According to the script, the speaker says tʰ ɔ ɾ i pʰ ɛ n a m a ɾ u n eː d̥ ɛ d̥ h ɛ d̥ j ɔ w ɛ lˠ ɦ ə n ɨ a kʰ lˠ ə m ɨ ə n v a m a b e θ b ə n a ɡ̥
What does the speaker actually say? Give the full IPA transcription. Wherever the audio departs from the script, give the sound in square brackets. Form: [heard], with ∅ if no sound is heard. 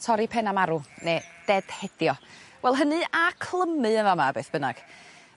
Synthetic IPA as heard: tʰ ɔ ɾ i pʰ ɛ n a m a ɾ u n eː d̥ ɛ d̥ h ɛ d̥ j ɔ w ɛ lˠ ɦ ə n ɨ a kʰ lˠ ə m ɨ ə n v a m a b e θ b ə n a ɡ̥